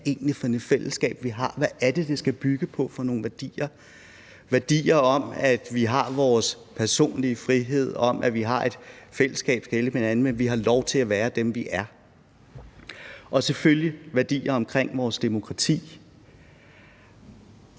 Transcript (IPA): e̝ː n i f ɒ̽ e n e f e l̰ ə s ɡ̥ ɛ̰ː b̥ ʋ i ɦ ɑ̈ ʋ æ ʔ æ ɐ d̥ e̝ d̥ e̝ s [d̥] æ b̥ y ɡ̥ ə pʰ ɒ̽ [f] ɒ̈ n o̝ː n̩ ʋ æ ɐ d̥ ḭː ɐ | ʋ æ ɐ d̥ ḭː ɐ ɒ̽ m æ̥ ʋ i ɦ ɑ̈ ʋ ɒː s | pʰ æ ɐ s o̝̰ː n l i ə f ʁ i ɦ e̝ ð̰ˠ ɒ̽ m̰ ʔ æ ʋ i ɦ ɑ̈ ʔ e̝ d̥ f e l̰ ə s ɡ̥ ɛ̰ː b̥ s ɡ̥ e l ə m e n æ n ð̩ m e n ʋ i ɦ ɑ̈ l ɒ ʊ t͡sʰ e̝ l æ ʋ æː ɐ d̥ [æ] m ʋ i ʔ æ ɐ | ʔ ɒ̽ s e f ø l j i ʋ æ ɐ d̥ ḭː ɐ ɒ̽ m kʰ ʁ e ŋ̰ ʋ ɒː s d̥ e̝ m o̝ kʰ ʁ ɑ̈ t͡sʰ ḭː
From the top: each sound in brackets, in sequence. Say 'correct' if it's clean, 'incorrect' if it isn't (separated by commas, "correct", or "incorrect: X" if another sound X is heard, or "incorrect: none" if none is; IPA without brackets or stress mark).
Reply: incorrect: ɡ̥, correct, incorrect: e